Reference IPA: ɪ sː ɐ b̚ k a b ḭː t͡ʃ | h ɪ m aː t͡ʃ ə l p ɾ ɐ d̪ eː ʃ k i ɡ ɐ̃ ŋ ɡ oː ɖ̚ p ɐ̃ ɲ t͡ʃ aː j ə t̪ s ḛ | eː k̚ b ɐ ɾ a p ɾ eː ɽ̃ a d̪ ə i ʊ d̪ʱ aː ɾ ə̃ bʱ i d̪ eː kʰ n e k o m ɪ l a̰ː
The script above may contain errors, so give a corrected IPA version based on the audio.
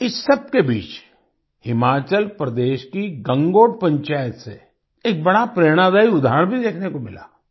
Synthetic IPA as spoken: ɪ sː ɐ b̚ k e b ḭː t͡ʃ | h ɪ m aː t͡ʃ ə l p ɾ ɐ d̪ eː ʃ k i ɡ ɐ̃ ŋ ɡ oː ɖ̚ p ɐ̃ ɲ t͡ʃ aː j ə t̪ s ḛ | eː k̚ b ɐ ɽ a p ɾ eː ɽ̃ a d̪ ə i ʊ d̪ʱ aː ɾ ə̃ bʱ i d̪ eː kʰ n e k o m ɪ l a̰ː